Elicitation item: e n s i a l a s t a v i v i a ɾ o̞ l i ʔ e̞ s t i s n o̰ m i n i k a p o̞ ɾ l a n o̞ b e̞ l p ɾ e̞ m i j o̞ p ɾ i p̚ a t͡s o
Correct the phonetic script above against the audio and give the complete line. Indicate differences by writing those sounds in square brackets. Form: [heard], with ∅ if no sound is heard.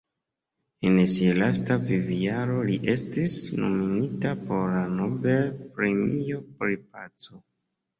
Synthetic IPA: e n s i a l a s t a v i v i a ɾ o̞ l i ʔ e̞ s t i s n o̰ m i n i [t] a p o̞ ɾ l a n o̞ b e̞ l p ɾ e̞ m i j o̞ p ɾ i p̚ a t͡s o